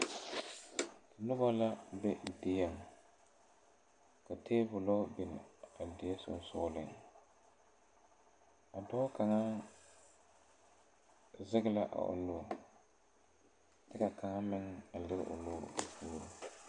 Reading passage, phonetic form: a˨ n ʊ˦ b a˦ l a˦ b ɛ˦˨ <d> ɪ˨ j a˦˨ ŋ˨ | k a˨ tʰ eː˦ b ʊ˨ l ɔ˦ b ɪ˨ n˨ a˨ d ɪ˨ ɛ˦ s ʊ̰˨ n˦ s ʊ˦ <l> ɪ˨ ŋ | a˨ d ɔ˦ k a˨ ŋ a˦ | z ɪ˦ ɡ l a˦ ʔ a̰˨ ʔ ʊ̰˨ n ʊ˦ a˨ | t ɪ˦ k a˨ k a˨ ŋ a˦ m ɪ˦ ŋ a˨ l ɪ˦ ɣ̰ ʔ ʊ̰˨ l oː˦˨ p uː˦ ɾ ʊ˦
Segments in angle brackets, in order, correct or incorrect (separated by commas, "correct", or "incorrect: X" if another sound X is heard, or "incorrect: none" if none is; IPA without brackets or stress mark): correct, correct